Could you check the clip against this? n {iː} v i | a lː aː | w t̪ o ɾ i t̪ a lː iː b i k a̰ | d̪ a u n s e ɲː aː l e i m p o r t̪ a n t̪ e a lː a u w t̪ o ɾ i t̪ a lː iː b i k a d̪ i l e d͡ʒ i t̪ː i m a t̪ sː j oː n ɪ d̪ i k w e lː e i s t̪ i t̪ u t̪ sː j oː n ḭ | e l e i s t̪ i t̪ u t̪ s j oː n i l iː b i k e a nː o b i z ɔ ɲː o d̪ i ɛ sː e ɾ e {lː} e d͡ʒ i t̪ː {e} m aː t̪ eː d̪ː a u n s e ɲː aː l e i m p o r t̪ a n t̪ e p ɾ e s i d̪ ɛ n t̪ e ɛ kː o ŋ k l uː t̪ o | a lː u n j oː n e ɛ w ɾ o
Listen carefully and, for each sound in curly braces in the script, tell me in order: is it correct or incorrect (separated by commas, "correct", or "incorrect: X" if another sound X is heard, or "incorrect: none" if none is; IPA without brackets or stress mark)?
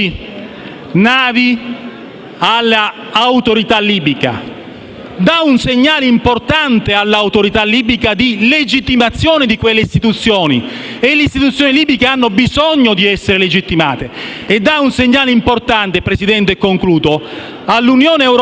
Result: incorrect: aː, incorrect: l, incorrect: i